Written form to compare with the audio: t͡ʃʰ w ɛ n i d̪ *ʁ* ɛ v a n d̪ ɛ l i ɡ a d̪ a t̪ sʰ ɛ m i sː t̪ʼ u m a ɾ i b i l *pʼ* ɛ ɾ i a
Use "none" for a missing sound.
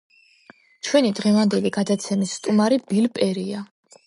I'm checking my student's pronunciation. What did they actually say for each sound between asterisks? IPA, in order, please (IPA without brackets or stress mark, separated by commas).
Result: ʁ, pʼ